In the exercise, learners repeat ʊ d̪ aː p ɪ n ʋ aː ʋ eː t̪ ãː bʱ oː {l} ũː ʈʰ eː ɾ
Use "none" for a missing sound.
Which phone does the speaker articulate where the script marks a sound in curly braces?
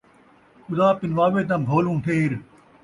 l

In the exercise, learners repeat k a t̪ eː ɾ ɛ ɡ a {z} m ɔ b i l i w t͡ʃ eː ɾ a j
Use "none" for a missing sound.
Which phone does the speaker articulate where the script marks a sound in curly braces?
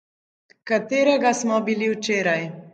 s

